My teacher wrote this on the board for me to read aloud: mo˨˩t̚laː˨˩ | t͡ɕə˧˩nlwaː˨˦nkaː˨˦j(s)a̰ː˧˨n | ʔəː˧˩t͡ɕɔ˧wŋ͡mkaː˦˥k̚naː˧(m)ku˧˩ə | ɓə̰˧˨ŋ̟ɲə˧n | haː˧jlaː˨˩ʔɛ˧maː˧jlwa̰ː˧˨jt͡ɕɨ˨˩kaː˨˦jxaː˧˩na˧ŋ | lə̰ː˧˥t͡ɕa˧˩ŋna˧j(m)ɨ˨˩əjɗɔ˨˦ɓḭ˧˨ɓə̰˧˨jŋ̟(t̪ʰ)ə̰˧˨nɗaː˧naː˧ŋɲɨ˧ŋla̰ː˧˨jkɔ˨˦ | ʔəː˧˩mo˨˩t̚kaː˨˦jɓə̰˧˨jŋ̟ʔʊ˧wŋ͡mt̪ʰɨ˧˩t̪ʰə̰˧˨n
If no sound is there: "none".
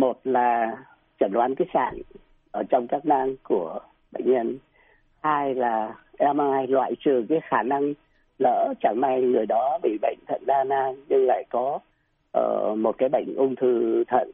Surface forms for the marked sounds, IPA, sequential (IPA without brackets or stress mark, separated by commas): s, ŋ, ŋ, t̪ʰ